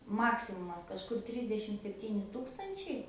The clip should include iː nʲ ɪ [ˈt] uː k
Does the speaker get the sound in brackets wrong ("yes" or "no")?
no